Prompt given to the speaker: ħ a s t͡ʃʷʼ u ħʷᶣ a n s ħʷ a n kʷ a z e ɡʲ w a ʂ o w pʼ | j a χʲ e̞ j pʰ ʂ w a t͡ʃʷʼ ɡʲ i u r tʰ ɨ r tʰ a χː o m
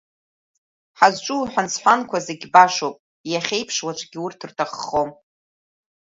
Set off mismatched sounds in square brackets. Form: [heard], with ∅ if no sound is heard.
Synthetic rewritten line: ħ a [z] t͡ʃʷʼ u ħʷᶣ a n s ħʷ a n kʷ a z e ɡʲ [b] a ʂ o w pʼ | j a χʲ e̞ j pʰ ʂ w a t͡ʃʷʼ ɡʲ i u r tʰ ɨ r tʰ a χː o m